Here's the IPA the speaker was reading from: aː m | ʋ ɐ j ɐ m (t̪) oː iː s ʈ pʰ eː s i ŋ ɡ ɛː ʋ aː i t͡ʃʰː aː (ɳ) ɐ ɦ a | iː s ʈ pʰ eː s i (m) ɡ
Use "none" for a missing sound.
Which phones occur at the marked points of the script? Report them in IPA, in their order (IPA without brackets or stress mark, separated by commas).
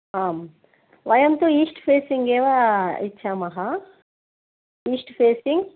t̪, m, ŋ